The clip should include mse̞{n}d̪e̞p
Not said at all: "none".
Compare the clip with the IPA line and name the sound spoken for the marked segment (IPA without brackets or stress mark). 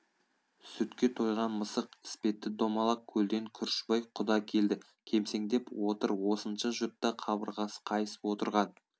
ŋ